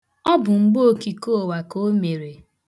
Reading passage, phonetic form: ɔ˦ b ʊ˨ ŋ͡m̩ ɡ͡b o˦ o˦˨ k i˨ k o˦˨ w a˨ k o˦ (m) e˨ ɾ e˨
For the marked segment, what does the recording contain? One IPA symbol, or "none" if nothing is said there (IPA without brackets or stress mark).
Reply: m